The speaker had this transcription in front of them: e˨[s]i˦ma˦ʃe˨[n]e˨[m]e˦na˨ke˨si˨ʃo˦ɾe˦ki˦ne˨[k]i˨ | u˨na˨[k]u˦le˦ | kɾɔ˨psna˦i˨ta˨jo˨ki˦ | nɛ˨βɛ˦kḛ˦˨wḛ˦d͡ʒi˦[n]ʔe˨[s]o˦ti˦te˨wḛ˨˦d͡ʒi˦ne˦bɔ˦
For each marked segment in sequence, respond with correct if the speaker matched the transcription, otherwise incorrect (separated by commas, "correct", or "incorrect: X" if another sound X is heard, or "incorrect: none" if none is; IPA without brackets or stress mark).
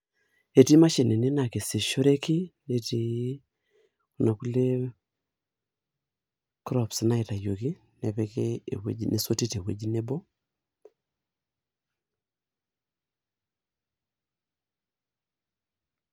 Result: incorrect: t, correct, incorrect: n, incorrect: t, correct, correct, correct